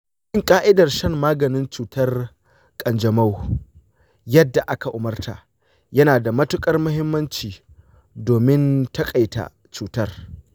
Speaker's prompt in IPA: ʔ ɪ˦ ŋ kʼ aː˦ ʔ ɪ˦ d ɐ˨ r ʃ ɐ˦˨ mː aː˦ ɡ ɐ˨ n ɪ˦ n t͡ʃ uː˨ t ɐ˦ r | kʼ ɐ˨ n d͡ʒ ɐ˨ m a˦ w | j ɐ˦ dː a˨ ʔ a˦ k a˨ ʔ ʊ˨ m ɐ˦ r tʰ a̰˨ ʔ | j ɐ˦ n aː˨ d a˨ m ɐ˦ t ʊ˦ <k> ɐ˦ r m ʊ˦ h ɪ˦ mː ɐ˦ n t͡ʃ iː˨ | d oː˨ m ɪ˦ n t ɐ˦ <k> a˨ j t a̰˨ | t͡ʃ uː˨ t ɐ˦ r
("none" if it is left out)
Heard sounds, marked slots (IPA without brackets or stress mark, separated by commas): kʼ, kʼ